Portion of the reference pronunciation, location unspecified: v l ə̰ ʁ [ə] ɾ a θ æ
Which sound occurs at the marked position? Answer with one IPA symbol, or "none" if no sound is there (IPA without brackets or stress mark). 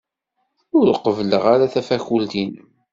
a